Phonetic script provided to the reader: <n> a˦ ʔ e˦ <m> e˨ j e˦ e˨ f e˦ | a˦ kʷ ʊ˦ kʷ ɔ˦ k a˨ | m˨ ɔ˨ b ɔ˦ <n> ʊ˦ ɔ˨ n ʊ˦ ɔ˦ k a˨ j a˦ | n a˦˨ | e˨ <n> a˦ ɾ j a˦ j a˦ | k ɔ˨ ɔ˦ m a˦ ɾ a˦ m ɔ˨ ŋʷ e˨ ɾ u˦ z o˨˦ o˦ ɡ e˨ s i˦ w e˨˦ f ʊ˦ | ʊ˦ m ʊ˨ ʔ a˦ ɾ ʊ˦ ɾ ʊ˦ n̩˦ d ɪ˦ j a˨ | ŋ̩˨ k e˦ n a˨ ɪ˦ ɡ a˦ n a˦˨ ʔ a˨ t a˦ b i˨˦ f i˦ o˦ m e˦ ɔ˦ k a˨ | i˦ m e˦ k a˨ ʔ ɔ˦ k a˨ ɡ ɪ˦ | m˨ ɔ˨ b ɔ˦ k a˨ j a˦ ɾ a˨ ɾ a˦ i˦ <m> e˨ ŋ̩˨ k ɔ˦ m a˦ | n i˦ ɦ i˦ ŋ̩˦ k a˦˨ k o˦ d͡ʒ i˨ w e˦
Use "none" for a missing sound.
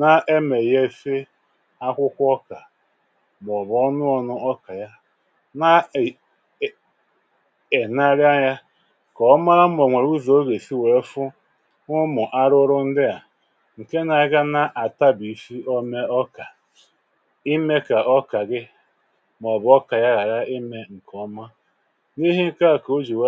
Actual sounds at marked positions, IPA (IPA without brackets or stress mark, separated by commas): n, m, n, n, m